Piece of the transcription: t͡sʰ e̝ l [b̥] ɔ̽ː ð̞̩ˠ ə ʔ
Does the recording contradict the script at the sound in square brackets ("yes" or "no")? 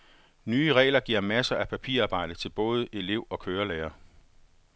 no